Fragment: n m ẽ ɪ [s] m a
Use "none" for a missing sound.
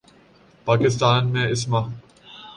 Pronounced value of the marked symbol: s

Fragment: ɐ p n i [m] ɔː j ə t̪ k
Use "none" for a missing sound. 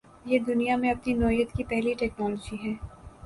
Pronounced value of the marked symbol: n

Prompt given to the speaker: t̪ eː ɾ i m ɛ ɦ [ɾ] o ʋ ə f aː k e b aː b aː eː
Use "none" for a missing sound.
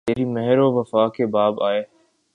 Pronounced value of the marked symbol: ɾ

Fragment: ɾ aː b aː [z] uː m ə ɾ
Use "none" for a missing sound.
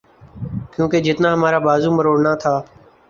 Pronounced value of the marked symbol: z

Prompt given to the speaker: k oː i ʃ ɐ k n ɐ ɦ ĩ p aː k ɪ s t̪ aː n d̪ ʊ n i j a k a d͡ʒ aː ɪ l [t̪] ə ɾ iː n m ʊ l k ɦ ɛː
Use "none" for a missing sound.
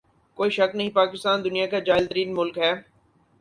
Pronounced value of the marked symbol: t̪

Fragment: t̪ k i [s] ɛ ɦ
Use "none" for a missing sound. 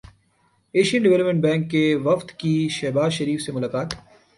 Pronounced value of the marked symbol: ʃ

